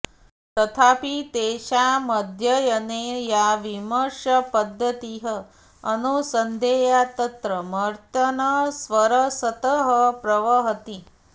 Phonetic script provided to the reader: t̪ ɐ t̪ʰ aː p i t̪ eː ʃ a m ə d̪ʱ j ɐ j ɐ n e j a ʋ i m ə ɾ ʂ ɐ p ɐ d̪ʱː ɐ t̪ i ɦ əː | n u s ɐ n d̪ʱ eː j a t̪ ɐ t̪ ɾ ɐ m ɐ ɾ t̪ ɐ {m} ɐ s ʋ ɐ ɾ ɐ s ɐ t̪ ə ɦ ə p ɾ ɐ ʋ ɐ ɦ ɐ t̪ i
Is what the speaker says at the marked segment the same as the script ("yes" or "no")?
no